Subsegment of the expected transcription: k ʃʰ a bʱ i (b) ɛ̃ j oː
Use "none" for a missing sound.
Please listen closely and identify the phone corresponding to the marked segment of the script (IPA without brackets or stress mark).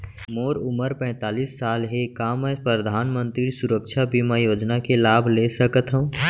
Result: m